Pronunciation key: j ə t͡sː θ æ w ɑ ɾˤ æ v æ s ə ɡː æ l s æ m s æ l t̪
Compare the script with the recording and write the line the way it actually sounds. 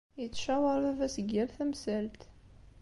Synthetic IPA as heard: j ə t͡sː ʃ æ w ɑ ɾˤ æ v æ s ə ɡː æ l θ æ m s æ l t̪

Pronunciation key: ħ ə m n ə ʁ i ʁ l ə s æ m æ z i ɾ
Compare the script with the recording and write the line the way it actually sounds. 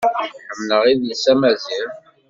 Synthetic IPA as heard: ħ ə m n ə ʁ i ð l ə s æ m æ z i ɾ

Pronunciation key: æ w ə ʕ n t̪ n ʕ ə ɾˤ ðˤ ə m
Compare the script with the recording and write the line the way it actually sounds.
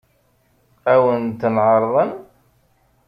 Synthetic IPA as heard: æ w ə n t̪ n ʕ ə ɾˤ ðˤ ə n

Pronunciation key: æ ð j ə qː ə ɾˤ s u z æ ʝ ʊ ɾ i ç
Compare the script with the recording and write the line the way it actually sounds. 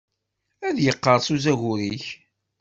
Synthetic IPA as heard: æ ð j ə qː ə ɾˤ s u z æ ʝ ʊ ɾ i ç

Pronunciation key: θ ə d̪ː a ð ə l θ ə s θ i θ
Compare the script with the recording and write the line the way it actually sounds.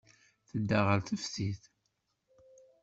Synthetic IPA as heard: θ ə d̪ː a ʁ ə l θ ə f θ i θ

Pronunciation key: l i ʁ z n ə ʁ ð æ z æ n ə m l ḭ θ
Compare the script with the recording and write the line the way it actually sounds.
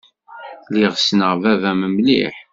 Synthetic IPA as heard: l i ʁ s n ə ʁ v æ v æ m ə m l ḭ ħ

